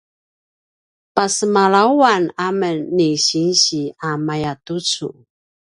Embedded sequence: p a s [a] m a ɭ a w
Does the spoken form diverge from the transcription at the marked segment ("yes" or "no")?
yes